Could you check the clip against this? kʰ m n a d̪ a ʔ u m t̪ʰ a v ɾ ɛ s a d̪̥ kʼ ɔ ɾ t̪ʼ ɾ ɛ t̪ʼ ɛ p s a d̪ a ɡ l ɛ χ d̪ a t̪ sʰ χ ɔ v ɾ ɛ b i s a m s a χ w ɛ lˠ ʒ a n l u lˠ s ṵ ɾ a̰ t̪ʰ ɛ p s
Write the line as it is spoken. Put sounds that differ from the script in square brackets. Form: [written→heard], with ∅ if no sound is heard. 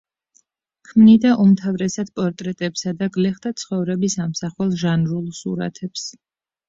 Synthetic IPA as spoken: kʰ m n [a→i] d̪ a ʔ u m t̪ʰ a v ɾ ɛ s a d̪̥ [kʼ→pʼ] ɔ ɾ t̪ʼ ɾ ɛ t̪ʼ ɛ p s a d̪ a ɡ l ɛ χ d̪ a t̪ sʰ χ ɔ v ɾ ɛ b i s a m s a χ w ɛ lˠ ʒ a n [l→ɾ] u lˠ s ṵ ɾ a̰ t̪ʰ ɛ p s